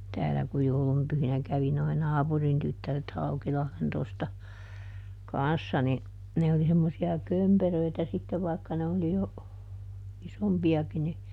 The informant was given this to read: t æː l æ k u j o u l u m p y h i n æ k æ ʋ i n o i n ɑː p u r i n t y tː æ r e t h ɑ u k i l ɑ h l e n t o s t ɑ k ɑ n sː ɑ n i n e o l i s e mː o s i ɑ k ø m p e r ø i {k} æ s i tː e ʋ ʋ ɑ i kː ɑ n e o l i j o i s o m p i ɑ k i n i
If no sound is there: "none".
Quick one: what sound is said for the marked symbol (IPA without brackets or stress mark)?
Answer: t